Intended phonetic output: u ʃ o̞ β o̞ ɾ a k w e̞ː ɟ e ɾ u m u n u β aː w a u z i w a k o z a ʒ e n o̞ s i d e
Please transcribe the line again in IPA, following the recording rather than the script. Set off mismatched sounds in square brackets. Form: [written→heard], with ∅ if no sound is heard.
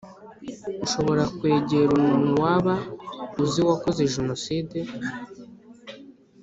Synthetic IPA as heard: u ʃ o̞ β o̞ ɾ a k w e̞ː ɟ e ɾ u m u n u [β→w] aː [w→β] a u z i w a k o z [a→e] ʒ e n o̞ s i d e